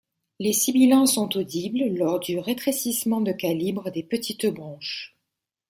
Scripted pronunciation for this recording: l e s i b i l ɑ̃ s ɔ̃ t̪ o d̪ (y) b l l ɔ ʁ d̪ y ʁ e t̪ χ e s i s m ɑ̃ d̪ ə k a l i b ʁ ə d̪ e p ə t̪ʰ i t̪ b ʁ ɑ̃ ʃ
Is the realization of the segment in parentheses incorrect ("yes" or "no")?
yes